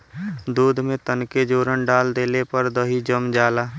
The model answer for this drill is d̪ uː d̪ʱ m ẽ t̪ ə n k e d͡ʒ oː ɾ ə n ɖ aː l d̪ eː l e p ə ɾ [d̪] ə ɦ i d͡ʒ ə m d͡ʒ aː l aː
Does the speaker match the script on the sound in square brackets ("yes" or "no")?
yes